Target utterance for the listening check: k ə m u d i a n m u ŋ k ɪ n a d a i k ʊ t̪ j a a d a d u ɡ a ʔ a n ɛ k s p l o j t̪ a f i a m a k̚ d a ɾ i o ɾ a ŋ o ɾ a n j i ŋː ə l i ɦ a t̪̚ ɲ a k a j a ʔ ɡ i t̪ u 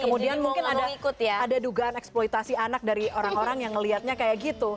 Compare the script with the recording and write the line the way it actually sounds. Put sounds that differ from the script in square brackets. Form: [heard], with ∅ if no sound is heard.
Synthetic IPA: k ə m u d i a n m u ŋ k ɪ n a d a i k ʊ t̪ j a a d a d u ɡ a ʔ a n ɛ k s p l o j t̪ a [s] i a [n] a k̚ d a ɾ i o ɾ a ŋ o ɾ a [ŋ] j [a] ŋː ə l i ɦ a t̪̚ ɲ a k a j a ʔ ɡ i t̪ u